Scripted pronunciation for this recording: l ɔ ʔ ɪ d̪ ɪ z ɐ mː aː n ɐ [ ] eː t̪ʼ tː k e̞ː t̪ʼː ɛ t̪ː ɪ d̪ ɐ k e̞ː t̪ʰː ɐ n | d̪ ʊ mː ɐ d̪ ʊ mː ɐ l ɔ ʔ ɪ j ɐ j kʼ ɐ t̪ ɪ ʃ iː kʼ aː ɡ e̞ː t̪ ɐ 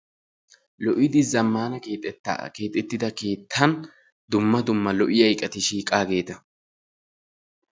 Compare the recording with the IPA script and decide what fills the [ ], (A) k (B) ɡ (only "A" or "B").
A